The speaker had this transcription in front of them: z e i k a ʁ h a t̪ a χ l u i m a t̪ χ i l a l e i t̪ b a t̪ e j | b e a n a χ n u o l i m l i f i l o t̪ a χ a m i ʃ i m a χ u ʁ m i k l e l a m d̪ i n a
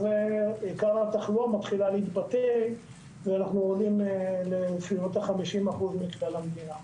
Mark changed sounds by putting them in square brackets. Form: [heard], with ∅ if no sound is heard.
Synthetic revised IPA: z e i k a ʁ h a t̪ a χ l u [a] m a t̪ χ i l a l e i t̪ b a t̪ e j | [v] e a n a χ n u o l i m l [e] f i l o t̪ a χ a m i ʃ i m a χ u [z] m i k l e l a m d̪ i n a

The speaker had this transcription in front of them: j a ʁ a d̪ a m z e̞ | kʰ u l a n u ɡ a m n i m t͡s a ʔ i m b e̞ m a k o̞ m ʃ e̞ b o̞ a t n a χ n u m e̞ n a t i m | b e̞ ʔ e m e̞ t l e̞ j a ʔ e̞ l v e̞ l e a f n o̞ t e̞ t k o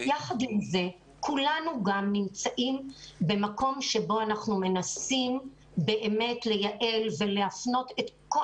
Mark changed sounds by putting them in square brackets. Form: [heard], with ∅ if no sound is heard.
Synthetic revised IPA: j a [χ] a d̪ [i] m z e̞ | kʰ u l a n u ɡ a m n i m t͡s a ʔ i m b e̞ m a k o̞ m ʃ e̞ b o̞ a [∅] n a χ n u m e̞ n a [s] i m | b e̞ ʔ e m e̞ t l e̞ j a ʔ e̞ l v e̞ l e a f n o̞ t e̞ t k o

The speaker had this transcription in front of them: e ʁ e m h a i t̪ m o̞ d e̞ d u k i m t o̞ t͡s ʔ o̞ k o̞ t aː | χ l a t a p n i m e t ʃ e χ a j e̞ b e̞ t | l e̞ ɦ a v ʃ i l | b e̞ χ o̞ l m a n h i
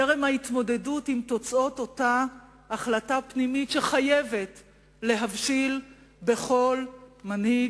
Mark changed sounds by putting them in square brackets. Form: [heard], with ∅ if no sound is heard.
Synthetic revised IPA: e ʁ e m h a i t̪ m o̞ d e̞ d u [t] i m t o̞ t͡s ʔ o̞ [t] o̞ t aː | χ l a t a p n i m [i] t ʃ e χ a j e̞ [v] e̞ t | l e̞ ɦ a v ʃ i l | b e̞ χ o̞ l m a n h i

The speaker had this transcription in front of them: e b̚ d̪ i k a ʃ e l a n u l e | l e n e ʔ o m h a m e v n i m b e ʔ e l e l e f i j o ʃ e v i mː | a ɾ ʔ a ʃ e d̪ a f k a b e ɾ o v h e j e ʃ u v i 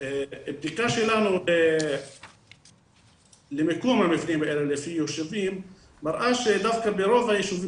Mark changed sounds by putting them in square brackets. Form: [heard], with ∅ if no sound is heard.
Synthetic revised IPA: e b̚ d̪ i k a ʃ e l a n u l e | l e [m] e [k] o m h a m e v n i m b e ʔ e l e l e f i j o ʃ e v i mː | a ɾ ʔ a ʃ e d̪ a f k a b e ɾ o v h [a] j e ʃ u v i

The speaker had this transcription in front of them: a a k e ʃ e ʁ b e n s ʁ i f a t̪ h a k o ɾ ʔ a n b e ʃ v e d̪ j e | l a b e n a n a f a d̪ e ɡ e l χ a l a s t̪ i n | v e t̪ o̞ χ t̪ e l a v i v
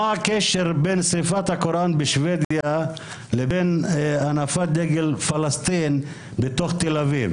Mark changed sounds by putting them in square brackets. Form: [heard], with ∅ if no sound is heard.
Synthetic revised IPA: a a k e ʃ e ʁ b e n s ʁ i f a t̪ h a k o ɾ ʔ a n b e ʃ v e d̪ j [a] | l [e] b e n a n a f a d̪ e ɡ e l [f] a l a s t̪ i n | [b] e t̪ o̞ χ t̪ e l a v i v

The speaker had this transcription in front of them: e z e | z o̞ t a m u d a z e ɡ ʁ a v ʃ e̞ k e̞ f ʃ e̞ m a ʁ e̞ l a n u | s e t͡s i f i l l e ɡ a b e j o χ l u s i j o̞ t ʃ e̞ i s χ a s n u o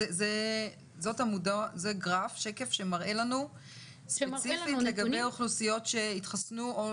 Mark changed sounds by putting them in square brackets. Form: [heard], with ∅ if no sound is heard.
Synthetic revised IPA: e z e | z o̞ t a m u d a z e ɡ ʁ a [f] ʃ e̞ k e̞ f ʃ e̞ m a ʁ e̞ l a n u | s e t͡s i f i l l e ɡ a b e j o χ l u s i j o̞ t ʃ e̞ i [t] χ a s n u o

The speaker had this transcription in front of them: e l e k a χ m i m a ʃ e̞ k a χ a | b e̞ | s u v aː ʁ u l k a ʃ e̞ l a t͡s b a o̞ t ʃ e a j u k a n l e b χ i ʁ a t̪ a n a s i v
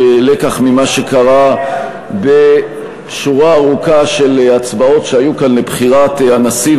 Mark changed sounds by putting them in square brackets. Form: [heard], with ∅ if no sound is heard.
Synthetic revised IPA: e l e k a χ m i m a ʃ e̞ k a [ʁ] a | b e̞ | [ʃ] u [ʁ] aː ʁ u [∅] k a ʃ e̞ l a t͡s b a o̞ t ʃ e a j u k a n l e b χ i ʁ a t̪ a n a s i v

